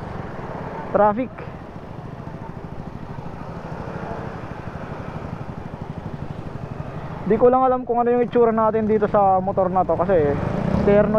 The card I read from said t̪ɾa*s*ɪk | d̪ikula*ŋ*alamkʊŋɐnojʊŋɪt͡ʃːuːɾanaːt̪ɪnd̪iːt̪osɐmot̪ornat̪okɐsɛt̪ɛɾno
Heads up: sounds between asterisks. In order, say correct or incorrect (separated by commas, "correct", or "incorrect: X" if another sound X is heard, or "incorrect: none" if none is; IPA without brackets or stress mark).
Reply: incorrect: f, correct